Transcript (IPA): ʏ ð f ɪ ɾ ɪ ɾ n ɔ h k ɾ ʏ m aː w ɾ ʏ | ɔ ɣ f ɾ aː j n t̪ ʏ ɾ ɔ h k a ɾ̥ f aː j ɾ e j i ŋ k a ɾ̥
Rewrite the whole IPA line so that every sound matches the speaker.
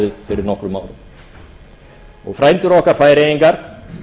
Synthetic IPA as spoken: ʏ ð f ɪ ɾ ɪ ɾ n ɔ h k ɾ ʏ m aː w ɾ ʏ | ɔ ɣ f ɾ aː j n t̪ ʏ ɾ ɔ h k a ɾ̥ f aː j ɾ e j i ŋ k a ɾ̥